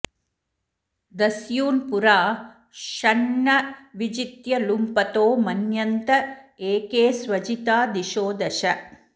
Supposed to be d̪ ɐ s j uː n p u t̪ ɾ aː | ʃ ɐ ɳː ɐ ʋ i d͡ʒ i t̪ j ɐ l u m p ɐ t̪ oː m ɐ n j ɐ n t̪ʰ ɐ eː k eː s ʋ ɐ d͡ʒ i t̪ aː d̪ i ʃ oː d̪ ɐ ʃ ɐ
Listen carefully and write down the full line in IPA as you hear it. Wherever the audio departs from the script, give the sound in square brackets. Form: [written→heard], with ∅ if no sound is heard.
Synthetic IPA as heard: d̪ ɐ s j uː n p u [t̪→∅] ɾ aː | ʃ ɐ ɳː ɐ ʋ i d͡ʒ i t̪ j ɐ l u m p ɐ t̪ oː m ɐ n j ɐ n [t̪ʰ→t̪] ɐ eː k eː s ʋ ɐ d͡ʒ i t̪ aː d̪ i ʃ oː d̪ ɐ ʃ ɐ